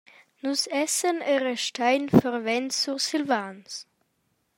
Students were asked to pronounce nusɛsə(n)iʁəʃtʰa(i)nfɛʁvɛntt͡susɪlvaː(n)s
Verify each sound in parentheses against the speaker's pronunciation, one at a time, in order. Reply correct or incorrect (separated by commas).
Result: correct, incorrect, correct